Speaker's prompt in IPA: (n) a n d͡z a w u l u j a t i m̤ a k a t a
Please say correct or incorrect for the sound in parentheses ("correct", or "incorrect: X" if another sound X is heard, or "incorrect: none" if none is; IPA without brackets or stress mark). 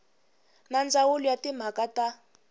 correct